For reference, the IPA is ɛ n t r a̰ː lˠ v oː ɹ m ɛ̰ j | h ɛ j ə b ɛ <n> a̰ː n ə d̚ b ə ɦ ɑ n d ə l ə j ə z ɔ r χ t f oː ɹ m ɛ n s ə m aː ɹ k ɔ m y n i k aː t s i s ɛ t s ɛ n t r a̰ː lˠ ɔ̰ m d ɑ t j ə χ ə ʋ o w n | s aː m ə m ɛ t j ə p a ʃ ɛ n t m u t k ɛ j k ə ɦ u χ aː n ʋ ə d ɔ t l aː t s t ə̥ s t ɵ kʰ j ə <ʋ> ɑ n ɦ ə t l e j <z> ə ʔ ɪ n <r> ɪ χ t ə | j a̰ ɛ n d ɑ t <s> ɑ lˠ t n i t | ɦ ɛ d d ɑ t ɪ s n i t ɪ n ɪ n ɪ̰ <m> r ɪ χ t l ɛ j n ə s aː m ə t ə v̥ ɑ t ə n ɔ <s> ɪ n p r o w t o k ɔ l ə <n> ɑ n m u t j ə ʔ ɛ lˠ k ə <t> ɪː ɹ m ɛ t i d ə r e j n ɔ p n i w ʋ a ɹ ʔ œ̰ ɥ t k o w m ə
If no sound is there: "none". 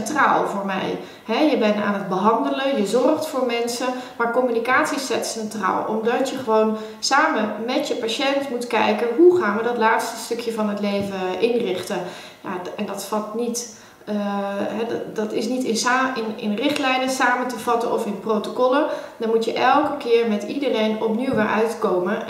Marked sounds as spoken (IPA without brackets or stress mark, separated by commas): n, v, v, r, f, n, f, d, k